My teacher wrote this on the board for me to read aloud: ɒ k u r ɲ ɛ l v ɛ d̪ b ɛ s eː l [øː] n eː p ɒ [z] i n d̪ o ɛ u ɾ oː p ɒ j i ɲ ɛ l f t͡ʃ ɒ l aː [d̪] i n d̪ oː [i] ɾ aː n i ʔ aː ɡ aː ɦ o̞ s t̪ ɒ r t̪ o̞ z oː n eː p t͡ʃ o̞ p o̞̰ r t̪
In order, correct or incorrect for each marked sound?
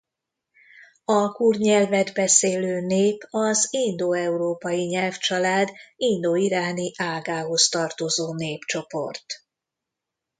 correct, correct, correct, correct

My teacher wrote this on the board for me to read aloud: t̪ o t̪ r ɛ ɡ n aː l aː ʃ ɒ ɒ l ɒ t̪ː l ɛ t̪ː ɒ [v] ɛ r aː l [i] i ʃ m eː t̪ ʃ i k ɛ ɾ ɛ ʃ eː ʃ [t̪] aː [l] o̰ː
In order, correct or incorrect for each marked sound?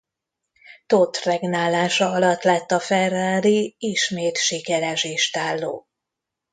incorrect: f, correct, correct, incorrect: lː

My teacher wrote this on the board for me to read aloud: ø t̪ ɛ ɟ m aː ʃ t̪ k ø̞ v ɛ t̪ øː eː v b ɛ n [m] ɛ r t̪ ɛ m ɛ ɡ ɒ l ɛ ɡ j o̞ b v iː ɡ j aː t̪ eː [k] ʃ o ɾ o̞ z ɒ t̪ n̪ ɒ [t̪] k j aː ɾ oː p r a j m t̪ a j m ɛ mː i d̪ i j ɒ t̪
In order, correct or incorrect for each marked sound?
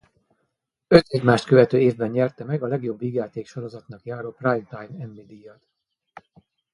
incorrect: ɲ, correct, incorrect: none

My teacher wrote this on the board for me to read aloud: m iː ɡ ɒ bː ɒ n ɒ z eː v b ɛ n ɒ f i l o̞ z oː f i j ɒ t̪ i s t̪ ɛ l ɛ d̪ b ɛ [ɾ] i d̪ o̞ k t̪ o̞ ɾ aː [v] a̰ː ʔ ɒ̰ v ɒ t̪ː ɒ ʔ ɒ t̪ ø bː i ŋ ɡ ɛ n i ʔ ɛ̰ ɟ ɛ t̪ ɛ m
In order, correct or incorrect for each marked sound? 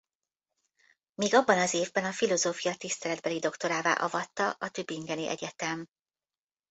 incorrect: l, correct

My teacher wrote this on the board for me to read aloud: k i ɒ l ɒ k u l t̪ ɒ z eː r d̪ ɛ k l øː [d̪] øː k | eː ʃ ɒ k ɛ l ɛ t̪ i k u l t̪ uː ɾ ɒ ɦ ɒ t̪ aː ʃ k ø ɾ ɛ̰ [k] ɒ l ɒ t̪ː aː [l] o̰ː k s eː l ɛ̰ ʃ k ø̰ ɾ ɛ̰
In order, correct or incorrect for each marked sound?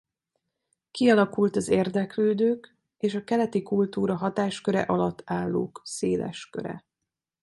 correct, incorrect: ʔ, incorrect: lː

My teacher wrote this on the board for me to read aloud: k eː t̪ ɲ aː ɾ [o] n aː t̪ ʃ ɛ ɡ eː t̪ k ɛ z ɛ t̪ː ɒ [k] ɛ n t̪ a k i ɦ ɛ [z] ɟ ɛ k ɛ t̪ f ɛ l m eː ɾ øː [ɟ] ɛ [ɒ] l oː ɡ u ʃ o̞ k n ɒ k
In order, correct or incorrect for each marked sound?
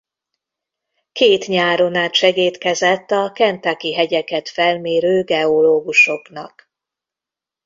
correct, correct, incorrect: none, incorrect: ɡ, incorrect: o

